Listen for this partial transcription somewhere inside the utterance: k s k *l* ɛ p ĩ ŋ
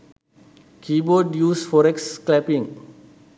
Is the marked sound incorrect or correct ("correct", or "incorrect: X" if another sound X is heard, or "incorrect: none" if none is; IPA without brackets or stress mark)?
correct